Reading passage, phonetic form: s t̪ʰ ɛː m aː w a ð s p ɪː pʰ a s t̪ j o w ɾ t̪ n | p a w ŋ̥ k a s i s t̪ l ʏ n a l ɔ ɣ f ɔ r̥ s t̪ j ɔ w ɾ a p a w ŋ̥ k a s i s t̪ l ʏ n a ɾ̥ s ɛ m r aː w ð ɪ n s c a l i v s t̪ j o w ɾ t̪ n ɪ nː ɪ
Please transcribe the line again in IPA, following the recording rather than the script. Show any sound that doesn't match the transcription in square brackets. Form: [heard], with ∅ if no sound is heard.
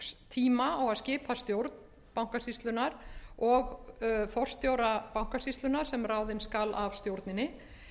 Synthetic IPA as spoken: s t̪ʰ [iː] m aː w a ð s [c] ɪː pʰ a s t̪ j o w ɾ t̪ n | p a w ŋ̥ k a s i s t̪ l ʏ n a [ɾ] ɔ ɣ f ɔ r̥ s t̪ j [o] w ɾ a p a w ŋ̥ k a s i s t̪ l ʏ n a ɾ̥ s ɛ m r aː w ð ɪ n s [k] a l [a] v s t̪ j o w ɾ t̪ n ɪ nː ɪ